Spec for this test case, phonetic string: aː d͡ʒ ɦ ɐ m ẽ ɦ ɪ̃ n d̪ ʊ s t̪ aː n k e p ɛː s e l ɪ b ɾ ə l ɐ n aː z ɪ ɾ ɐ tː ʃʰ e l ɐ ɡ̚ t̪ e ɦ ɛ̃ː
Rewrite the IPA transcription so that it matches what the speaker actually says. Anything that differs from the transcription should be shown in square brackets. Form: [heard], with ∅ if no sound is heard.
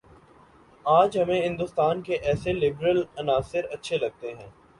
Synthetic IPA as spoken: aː d͡ʒ ɦ ɐ m ẽ ɦ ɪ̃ n d̪ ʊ s t̪ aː n k e [ʔ] ɛː s e l ɪ b ɾ ə l ɐ n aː [s] ɪ ɾ ɐ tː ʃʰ e l ɐ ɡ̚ t̪ e ɦ ɛ̃ː